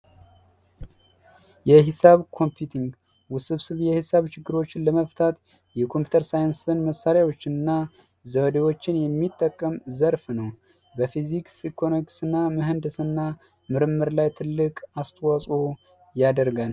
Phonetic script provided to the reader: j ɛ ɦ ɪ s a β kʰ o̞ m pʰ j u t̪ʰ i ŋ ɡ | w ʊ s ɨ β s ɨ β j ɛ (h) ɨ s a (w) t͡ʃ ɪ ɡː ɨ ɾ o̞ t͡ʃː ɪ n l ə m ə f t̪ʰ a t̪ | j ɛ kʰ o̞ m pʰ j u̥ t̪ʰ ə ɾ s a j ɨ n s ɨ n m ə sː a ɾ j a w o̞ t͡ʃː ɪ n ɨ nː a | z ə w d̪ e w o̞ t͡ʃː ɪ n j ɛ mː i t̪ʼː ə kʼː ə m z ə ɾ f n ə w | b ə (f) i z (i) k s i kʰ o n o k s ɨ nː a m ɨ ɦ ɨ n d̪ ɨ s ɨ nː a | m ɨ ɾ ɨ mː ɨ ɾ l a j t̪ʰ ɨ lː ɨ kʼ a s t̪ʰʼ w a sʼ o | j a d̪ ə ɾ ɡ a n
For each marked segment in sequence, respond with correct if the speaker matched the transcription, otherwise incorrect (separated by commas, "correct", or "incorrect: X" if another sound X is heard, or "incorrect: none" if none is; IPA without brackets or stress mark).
correct, incorrect: β, correct, correct